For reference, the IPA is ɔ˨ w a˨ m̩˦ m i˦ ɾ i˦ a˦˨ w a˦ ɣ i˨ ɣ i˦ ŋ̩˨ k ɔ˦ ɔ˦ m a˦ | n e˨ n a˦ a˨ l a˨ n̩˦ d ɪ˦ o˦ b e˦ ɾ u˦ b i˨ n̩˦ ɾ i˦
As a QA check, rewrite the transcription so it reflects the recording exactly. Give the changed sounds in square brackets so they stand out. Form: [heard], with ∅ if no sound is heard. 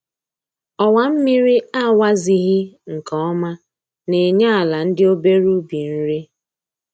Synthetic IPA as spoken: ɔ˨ w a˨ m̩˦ m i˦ ɾ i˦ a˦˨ w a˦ [z] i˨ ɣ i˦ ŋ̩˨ k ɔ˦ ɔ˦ m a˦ | n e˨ [ɲ] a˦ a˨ l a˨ n̩˦ d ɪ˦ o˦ b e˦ ɾ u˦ b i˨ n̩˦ ɾ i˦